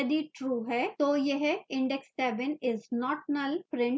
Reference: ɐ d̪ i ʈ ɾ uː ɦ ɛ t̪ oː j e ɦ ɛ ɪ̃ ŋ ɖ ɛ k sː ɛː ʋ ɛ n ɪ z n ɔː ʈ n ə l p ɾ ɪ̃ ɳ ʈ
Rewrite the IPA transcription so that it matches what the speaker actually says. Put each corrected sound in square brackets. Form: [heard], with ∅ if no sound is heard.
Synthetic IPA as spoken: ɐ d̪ i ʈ ɾ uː ɦ ɛ t̪ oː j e ɦ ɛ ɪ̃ [ɳ] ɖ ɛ k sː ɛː ʋ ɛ n ɪ z n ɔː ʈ n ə l p ɾ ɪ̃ ɳ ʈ